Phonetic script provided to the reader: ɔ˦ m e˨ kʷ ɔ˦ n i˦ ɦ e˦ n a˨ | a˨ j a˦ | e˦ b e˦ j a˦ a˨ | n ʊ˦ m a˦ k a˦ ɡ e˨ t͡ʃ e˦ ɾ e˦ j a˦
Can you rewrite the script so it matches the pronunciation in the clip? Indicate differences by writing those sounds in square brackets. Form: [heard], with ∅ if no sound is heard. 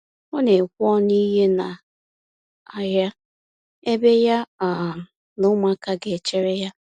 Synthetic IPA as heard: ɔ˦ [n] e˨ kʷ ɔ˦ n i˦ ɦ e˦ n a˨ | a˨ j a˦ | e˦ b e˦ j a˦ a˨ | n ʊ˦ m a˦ k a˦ ɡ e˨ t͡ʃ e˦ ɾ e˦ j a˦